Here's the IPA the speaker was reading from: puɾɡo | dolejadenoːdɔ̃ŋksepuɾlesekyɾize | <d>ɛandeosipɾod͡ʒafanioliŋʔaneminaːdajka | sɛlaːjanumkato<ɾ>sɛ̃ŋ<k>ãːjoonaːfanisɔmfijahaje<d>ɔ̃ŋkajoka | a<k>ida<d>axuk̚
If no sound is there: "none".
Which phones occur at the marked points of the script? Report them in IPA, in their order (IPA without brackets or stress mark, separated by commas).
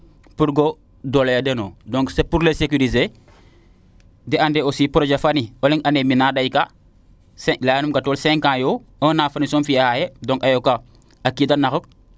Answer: d, l, k, d, k, n